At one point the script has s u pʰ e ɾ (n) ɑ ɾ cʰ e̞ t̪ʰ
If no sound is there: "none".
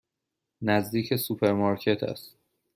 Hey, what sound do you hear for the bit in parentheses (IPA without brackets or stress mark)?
m